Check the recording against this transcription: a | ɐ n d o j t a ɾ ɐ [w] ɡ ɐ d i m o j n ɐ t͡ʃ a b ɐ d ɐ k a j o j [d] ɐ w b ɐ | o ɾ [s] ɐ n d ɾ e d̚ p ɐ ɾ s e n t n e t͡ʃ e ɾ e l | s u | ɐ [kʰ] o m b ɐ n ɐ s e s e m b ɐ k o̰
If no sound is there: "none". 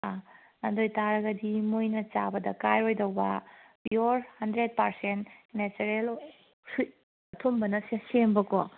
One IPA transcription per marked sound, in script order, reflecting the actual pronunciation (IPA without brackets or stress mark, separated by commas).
none, d, h, tʰ